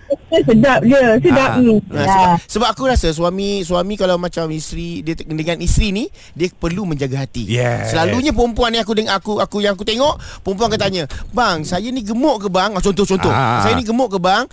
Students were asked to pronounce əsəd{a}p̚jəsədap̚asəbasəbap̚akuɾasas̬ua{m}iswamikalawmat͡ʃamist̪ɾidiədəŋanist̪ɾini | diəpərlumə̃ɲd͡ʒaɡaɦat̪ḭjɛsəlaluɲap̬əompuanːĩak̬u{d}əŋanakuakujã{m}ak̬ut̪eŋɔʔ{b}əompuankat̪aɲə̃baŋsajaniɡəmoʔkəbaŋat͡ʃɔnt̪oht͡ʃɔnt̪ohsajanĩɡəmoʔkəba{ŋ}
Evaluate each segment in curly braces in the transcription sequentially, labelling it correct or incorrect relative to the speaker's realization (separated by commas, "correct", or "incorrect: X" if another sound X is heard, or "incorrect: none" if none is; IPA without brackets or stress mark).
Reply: correct, correct, correct, incorrect: ŋ, incorrect: p, correct